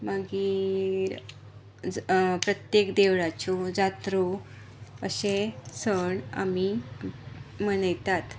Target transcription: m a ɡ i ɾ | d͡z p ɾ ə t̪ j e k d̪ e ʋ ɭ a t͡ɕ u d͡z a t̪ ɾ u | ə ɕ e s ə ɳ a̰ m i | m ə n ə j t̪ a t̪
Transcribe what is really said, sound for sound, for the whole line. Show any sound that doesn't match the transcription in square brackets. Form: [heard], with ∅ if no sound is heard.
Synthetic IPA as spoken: m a ɡ i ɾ | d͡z p ɾ ə t̪ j e k d̪ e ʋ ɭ a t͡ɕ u d͡z a t̪ ɾ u | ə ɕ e s ə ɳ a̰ m i | m ə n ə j t̪ a t̪